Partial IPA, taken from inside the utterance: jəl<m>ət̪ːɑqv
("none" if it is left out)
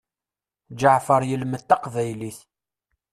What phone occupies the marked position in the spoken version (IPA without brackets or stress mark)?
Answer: m